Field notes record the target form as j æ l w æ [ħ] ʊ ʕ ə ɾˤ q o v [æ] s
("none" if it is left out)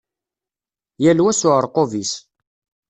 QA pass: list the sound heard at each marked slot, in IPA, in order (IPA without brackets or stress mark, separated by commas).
s, i